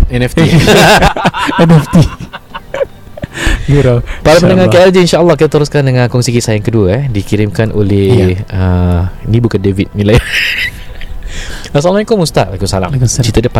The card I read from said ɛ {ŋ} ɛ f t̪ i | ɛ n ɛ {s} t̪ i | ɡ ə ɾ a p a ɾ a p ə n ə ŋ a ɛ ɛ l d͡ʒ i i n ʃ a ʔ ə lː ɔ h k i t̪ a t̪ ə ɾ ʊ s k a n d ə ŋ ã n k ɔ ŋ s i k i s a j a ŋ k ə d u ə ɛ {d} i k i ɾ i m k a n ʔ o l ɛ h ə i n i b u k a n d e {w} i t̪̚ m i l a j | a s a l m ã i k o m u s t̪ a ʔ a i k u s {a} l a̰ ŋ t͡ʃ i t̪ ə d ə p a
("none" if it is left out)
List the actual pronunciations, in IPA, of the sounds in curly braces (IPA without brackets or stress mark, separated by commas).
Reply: n, f, d, v, a